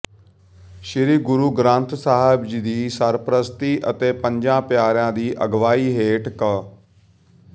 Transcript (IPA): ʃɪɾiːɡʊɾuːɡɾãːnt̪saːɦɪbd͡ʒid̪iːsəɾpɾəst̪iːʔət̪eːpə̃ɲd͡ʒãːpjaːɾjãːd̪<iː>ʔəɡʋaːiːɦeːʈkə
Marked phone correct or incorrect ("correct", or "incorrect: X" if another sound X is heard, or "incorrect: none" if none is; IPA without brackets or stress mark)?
correct